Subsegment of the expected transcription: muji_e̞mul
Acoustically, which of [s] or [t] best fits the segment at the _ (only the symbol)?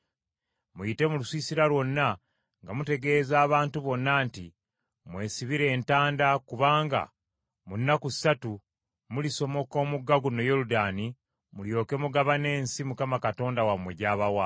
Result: t